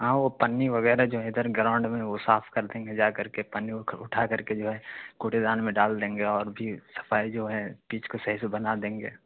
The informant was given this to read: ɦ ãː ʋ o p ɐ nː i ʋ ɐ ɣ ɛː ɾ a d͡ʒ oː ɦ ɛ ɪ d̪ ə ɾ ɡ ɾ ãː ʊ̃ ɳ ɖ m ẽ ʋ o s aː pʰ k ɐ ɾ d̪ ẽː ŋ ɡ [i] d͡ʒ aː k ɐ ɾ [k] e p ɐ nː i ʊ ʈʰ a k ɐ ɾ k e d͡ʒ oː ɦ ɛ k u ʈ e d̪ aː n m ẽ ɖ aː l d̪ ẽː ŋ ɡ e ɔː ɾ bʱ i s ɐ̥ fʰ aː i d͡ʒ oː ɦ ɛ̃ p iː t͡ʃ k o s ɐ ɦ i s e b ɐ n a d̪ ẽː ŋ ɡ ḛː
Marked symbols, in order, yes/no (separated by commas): no, yes